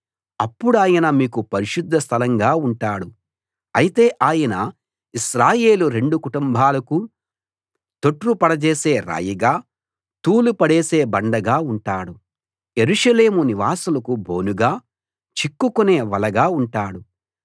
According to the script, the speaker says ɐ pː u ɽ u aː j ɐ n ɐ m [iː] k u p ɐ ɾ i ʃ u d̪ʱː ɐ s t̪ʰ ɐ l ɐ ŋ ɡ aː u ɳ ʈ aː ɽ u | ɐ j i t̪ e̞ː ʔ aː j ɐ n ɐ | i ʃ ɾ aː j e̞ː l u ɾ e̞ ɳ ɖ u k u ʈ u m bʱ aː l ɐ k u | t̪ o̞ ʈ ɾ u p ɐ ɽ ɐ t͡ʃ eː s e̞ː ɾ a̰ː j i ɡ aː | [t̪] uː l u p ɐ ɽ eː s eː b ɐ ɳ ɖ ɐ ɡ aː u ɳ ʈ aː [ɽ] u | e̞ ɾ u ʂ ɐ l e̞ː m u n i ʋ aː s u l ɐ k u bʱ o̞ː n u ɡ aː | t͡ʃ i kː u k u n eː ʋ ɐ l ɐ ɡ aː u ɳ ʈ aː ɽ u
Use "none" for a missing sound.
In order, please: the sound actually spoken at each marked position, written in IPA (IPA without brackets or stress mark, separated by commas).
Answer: iː, t̪, ɽ